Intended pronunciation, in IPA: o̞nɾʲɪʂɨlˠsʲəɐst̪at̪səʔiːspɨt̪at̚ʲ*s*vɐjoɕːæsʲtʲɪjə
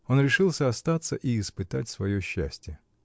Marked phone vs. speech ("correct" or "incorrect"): correct